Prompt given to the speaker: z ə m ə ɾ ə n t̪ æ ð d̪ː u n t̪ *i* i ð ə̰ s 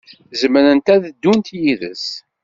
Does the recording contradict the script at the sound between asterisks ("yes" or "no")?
yes